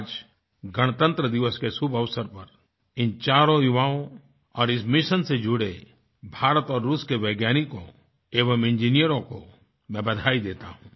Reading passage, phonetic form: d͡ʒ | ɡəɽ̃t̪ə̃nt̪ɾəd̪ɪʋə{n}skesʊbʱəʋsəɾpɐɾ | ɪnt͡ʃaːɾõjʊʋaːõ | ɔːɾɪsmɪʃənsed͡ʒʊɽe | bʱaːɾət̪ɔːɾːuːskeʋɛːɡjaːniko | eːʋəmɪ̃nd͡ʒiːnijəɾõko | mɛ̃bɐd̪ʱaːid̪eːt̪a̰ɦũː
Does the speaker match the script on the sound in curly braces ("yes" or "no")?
no